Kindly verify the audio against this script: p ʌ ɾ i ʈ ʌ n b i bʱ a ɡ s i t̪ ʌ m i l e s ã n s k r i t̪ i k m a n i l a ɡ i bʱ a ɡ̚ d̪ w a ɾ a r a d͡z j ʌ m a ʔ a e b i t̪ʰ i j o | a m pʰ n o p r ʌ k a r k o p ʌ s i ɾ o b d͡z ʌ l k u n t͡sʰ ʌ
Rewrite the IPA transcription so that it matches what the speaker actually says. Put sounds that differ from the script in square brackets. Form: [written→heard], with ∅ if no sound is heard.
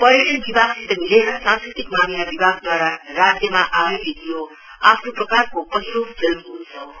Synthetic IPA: p ʌ ɾ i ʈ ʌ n b i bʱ a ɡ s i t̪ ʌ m i l e s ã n s k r i t̪ i k m a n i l a [ɡ→b] i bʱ a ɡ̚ d̪ w a ɾ a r a d͡z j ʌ m a ʔ a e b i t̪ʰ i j o | a [m→∅] pʰ n o p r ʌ k a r k o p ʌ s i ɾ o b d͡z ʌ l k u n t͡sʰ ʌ